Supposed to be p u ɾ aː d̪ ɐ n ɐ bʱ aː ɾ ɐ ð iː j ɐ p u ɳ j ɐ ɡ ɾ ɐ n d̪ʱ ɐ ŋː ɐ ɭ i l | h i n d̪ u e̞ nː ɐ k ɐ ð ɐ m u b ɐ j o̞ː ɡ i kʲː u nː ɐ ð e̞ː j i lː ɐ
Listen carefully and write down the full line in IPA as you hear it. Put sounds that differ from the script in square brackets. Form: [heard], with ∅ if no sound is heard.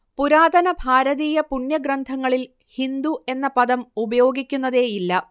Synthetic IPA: p u ɾ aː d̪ ɐ n ɐ bʱ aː ɾ ɐ ð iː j ɐ p u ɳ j ɐ ɡ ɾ ɐ n d̪ʱ ɐ ŋː ɐ ɭ i l | h i n d̪ u e̞ nː ɐ [p] ɐ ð ɐ m u b ɐ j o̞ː ɡ i kʲː u nː ɐ ð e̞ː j i lː ɐ